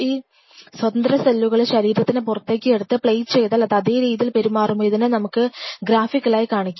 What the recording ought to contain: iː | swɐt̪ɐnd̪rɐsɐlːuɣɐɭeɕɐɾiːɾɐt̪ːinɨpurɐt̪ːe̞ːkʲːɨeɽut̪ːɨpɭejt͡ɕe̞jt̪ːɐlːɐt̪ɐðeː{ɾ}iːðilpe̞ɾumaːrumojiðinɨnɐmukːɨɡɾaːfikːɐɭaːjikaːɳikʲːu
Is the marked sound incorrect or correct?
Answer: correct